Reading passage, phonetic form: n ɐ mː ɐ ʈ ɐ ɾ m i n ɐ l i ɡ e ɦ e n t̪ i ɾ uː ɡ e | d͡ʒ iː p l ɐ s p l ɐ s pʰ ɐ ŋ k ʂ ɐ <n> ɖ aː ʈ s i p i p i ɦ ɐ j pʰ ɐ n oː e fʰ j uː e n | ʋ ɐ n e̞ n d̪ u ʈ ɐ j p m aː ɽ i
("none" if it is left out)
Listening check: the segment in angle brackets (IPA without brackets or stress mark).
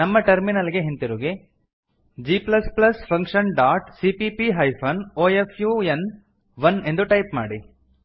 n